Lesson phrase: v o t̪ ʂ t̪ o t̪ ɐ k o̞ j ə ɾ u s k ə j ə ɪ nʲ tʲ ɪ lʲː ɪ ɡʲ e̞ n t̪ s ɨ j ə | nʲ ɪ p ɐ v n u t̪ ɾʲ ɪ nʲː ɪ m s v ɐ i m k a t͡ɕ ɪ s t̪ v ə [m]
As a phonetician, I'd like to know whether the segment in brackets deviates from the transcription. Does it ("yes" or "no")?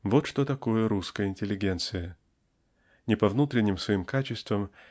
no